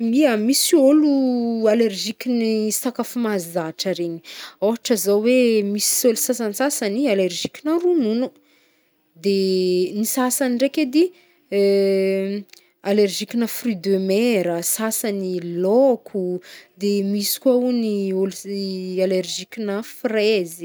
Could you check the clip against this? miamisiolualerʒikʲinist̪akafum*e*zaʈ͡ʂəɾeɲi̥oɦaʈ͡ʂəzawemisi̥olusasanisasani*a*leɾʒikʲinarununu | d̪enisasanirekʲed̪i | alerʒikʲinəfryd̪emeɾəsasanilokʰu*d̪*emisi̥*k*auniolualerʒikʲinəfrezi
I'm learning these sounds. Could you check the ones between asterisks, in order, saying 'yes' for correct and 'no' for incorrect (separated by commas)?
no, yes, yes, yes